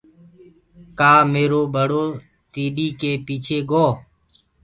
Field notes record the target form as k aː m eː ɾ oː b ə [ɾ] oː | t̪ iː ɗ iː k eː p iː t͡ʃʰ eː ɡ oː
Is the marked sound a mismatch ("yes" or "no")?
yes